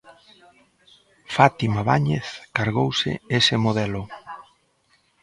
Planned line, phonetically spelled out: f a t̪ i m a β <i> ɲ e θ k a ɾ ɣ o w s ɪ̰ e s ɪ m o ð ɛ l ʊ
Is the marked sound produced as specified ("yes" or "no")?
no